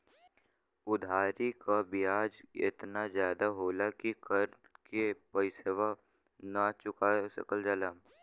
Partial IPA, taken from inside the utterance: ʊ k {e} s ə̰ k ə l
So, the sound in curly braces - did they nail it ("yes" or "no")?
no